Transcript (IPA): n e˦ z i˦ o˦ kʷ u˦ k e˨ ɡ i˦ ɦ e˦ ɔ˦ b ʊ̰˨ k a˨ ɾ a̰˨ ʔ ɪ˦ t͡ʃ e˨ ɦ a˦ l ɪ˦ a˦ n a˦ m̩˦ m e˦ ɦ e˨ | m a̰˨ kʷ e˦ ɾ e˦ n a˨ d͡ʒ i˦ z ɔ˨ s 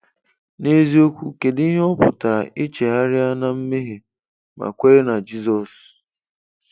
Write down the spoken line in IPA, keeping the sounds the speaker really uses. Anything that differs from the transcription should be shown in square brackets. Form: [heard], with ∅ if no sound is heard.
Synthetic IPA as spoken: n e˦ z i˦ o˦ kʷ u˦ k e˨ [d] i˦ ɦ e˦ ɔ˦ [p] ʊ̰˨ [t] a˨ ɾ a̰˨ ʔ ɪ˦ t͡ʃ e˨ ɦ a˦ [ɾ] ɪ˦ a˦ n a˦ m̩˦ m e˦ ɦ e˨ | m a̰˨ kʷ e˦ ɾ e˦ n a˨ d͡ʒ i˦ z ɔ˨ s